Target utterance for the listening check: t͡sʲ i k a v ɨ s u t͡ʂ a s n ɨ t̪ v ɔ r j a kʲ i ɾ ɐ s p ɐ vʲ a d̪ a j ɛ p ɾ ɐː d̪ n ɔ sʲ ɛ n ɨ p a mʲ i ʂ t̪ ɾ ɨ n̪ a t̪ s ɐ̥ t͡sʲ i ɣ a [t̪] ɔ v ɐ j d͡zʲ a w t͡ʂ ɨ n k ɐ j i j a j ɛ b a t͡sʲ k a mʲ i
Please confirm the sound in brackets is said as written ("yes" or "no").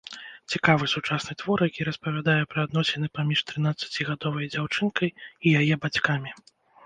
no